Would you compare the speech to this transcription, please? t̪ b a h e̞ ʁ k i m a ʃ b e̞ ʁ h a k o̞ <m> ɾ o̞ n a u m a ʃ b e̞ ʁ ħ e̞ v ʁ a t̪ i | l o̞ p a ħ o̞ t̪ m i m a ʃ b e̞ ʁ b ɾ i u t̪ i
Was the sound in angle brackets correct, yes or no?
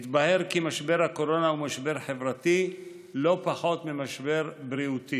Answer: no